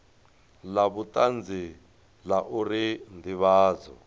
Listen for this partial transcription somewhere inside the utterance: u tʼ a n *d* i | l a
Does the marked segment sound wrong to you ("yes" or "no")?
yes